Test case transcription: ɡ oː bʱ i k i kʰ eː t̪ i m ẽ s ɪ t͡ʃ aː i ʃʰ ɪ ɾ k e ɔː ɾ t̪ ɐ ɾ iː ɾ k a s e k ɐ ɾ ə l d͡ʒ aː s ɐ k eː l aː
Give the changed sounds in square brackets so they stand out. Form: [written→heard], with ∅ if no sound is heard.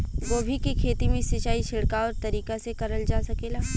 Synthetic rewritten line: ɡ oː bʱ i k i kʰ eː t̪ i m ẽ s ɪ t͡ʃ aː i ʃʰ ɪ [ɾ→ɽ] k [e→a] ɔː ɾ t̪ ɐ ɾ iː [ɾ→∅] k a s e k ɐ ɾ ə l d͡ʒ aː s ɐ k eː l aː